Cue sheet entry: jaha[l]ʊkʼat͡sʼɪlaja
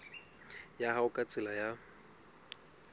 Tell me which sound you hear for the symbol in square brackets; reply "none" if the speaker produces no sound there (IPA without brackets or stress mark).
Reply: none